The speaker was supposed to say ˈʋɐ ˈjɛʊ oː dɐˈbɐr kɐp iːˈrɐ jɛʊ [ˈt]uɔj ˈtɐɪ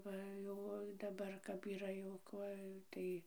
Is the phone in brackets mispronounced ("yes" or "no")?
yes